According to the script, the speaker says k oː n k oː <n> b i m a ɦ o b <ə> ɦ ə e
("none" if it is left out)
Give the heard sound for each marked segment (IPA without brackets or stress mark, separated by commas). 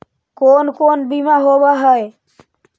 n, a